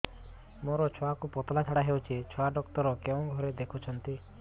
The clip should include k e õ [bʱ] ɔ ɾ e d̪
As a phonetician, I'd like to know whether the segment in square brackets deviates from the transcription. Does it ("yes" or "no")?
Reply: yes